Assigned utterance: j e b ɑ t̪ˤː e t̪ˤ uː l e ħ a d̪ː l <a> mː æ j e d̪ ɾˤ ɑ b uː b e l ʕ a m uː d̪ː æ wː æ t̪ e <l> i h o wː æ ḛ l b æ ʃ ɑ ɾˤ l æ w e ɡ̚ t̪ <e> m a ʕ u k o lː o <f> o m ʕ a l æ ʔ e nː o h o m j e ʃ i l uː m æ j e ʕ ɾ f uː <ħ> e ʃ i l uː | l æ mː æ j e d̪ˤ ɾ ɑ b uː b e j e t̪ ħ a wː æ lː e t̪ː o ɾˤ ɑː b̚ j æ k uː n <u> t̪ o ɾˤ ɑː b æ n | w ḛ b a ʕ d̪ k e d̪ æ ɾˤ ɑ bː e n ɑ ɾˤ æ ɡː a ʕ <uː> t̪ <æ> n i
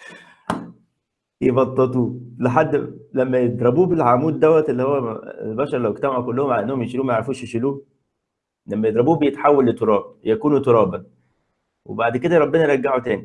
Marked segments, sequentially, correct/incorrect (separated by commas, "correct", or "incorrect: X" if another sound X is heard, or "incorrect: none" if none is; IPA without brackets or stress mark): incorrect: æ, incorrect: lː, incorrect: æ, incorrect: h, incorrect: ʃ, correct, incorrect: u, incorrect: æː